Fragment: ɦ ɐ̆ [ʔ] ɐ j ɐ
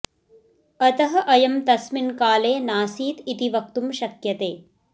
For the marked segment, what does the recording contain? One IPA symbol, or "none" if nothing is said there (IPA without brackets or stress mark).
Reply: ʔ